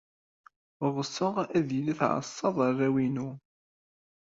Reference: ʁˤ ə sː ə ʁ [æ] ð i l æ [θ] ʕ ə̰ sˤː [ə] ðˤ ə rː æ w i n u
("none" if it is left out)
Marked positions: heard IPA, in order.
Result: æ, θ, ɑ

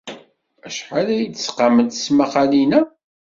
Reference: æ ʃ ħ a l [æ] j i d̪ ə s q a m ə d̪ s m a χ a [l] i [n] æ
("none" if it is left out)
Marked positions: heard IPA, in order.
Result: æ, l, n

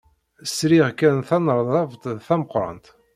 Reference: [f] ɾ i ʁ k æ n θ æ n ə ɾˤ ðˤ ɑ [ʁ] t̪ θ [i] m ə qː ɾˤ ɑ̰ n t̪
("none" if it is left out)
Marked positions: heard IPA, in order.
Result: s, v, æ

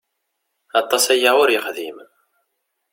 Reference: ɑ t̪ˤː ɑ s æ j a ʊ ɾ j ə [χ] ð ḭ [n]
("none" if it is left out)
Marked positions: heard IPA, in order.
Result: χ, m

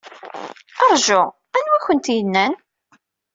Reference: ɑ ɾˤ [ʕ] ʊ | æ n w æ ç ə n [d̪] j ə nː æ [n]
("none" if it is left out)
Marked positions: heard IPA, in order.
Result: ʒ, t̪, n

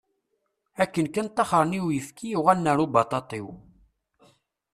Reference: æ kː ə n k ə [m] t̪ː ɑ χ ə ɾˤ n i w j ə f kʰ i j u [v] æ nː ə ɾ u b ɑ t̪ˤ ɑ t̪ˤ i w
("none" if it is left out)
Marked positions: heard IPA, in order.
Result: n, ʁ

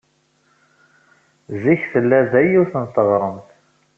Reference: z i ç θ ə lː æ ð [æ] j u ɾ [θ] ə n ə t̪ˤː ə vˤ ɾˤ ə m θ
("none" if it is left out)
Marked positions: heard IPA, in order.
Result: æ, θ

